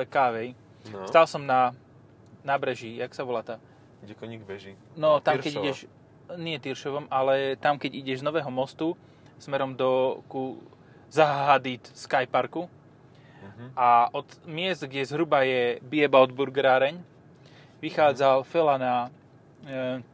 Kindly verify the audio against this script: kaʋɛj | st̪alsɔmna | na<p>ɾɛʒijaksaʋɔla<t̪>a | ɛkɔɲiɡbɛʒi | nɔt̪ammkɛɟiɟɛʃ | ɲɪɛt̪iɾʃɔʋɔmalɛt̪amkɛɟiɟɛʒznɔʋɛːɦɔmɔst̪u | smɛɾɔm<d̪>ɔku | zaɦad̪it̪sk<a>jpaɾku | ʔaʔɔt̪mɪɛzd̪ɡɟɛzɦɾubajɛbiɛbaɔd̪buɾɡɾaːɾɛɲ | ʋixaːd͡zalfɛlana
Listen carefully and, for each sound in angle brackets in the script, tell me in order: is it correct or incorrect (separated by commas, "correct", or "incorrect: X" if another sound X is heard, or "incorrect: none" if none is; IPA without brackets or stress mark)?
incorrect: b, correct, correct, correct